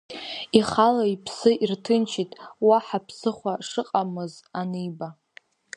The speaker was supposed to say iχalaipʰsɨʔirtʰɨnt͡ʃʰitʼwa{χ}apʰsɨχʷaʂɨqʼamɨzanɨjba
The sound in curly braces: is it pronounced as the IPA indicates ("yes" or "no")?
no